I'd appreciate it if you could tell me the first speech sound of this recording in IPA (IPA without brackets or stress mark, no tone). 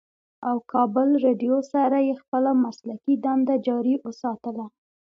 a